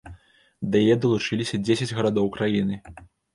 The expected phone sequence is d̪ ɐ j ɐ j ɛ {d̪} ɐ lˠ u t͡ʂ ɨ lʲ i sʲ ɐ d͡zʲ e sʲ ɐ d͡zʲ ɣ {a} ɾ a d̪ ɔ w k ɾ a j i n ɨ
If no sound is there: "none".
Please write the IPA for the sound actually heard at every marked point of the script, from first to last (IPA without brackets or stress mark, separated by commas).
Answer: d̪, ɐ